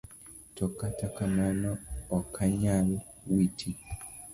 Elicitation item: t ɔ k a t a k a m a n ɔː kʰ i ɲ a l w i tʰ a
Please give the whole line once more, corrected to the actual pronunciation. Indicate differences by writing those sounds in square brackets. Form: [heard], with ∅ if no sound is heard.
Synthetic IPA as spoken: t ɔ k a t a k a m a n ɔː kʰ [a] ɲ a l w i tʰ [i]